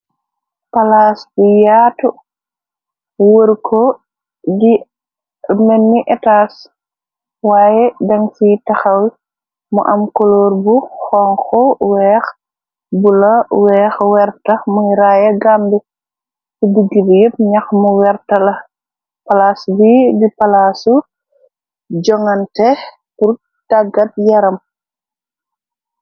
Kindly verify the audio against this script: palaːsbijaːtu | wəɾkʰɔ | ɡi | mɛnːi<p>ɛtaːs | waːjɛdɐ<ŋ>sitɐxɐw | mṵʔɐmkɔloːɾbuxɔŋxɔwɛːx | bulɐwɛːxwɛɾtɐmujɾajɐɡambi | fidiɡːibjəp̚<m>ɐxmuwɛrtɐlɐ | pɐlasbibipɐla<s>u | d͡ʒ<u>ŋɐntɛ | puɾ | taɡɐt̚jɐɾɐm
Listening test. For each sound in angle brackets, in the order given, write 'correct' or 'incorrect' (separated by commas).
incorrect, correct, incorrect, correct, incorrect